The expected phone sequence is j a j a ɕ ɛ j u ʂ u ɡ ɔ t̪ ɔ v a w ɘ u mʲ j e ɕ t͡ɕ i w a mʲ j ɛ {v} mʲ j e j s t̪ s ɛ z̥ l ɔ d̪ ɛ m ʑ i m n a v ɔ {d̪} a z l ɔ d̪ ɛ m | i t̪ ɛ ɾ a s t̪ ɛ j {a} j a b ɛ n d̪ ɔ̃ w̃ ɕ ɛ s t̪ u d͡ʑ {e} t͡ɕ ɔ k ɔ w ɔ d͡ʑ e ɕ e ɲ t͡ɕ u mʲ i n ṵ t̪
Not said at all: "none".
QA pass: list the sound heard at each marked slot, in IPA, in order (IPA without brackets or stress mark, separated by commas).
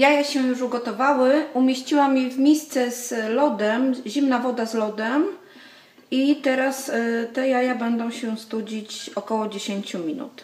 v, d̪, a, i